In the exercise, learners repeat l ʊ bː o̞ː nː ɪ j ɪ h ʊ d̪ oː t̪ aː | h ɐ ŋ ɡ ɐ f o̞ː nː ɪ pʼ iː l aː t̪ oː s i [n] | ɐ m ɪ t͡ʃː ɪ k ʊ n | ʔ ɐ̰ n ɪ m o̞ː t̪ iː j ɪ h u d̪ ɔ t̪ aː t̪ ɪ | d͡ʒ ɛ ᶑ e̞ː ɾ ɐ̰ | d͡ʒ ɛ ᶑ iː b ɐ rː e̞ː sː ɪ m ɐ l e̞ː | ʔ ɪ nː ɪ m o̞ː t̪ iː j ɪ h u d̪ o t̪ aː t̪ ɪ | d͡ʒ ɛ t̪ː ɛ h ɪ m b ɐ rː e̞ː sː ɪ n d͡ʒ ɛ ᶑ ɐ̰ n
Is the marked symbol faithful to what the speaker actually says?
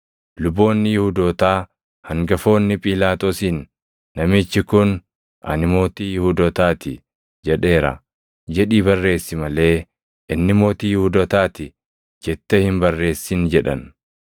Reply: no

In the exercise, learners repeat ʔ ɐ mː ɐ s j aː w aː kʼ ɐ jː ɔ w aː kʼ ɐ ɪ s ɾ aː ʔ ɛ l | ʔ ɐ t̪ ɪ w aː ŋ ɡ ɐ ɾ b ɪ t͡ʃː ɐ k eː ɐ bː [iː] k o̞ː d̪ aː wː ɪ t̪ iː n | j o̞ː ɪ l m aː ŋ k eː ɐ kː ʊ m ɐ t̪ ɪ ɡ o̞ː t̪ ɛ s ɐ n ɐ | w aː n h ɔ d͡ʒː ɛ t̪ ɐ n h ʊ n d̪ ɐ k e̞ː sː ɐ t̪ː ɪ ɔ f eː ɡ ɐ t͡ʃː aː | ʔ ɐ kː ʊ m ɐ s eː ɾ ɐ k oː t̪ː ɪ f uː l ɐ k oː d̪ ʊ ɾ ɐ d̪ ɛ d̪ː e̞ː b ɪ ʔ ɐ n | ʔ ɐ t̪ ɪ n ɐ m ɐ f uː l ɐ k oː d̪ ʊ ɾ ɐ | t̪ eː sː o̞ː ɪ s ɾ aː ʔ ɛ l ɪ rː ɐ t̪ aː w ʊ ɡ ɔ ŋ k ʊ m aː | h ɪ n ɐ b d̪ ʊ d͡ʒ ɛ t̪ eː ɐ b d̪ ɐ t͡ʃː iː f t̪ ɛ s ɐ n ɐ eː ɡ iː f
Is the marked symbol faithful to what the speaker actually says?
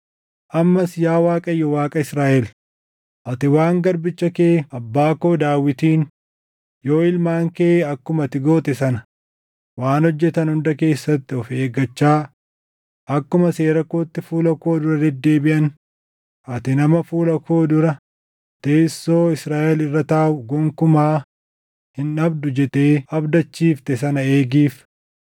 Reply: no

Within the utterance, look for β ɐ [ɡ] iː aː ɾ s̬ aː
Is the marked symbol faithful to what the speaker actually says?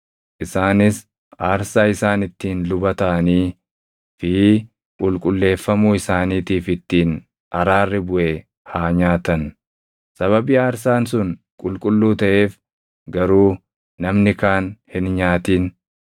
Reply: no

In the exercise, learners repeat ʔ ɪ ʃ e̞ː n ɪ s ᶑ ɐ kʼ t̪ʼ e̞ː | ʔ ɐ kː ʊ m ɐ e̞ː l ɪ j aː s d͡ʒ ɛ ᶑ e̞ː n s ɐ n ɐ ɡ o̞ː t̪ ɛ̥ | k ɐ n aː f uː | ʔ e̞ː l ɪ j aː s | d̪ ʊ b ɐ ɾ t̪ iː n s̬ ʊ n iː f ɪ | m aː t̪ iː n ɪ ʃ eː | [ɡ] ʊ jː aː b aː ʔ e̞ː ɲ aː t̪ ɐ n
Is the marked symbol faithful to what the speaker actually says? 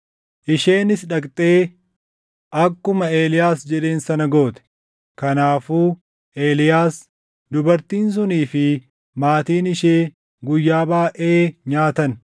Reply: yes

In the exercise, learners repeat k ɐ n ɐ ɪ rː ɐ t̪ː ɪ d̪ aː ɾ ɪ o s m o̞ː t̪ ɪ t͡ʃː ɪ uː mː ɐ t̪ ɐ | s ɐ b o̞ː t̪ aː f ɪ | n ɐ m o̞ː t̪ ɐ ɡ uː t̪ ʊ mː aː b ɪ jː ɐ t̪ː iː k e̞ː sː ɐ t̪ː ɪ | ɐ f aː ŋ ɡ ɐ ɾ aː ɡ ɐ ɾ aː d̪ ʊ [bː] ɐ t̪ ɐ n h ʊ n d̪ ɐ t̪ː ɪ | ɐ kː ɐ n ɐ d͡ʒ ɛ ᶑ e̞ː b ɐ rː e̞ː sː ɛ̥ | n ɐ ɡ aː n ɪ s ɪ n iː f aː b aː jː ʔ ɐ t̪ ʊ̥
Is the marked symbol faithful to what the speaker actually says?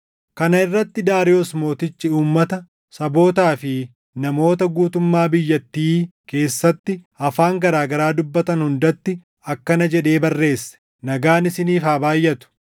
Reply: yes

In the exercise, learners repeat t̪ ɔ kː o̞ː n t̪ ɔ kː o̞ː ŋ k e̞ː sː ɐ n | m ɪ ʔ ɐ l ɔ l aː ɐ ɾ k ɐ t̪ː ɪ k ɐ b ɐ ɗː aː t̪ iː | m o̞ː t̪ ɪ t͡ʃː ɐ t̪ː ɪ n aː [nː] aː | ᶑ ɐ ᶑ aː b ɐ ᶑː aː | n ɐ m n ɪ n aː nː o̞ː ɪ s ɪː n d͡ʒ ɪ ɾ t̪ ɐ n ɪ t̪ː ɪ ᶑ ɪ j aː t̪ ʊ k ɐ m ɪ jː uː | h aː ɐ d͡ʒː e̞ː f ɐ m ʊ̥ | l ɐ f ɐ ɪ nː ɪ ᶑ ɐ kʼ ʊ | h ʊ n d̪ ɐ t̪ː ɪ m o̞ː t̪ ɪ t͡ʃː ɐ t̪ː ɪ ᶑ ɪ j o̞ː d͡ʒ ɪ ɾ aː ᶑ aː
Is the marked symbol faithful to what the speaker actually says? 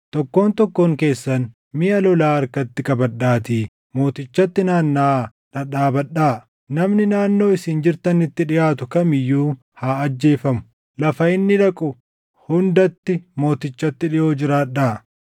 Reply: yes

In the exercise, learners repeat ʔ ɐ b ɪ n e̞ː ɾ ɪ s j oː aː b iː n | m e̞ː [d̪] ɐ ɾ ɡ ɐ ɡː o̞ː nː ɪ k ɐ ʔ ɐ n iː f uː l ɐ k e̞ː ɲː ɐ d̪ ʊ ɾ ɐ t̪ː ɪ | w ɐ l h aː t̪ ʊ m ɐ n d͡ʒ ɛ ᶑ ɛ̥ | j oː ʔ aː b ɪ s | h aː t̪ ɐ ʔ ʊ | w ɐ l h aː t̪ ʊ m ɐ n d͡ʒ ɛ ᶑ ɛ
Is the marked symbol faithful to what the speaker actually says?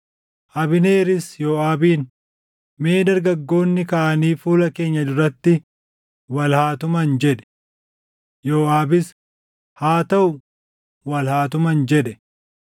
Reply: yes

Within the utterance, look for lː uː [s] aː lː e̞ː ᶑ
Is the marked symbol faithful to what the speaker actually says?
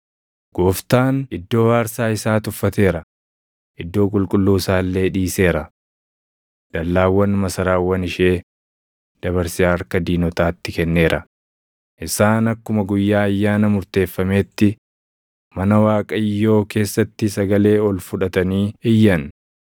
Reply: yes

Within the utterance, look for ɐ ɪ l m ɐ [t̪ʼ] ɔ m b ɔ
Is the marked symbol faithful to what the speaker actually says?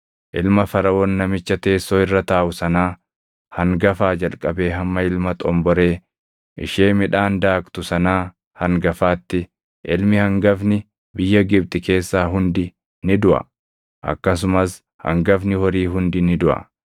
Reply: yes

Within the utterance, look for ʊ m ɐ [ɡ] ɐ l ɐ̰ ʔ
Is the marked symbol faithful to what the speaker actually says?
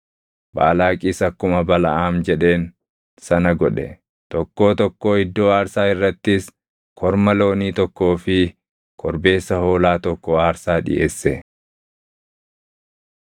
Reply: no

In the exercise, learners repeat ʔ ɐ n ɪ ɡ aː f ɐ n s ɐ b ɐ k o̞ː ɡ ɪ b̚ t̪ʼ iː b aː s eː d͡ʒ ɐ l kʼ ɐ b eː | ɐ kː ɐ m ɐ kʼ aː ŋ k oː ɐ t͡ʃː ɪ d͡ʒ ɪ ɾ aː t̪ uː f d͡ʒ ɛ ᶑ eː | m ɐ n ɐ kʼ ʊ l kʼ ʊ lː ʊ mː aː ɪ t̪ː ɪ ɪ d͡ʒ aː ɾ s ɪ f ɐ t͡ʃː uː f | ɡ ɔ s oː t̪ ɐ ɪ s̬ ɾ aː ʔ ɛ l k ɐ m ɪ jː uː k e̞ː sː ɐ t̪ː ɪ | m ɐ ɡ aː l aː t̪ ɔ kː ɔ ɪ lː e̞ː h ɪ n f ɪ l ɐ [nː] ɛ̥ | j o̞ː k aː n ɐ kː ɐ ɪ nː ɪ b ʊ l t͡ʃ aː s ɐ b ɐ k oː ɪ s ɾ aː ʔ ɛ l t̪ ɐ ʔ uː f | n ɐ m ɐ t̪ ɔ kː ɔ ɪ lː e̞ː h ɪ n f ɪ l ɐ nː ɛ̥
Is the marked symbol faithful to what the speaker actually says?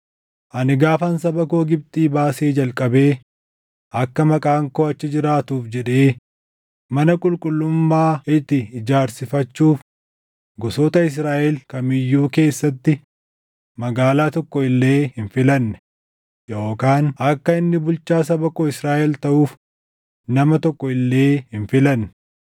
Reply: yes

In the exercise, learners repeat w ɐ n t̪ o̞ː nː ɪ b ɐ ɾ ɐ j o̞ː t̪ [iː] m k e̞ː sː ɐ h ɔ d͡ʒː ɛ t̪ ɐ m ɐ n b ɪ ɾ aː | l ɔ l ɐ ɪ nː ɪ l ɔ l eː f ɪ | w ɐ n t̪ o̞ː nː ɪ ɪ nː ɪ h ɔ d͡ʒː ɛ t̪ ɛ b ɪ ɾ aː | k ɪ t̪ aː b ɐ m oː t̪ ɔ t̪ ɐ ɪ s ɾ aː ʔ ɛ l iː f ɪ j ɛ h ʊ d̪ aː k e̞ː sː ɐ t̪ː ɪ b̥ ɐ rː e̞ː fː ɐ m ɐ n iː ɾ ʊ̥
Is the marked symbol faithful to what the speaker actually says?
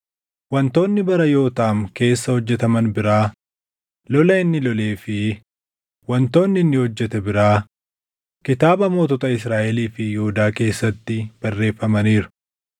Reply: no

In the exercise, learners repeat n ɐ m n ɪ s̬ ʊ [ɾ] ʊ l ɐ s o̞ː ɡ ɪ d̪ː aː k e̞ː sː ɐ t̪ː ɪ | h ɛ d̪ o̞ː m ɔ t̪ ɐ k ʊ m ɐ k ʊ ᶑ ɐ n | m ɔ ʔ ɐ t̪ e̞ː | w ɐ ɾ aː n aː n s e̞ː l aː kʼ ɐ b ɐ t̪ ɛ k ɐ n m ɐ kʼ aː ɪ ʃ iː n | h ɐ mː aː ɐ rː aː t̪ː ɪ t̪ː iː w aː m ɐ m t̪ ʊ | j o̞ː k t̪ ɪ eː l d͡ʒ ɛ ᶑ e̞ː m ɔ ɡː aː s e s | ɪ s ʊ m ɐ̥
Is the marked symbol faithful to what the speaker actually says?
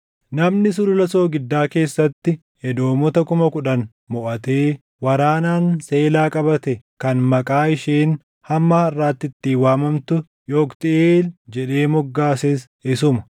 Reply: no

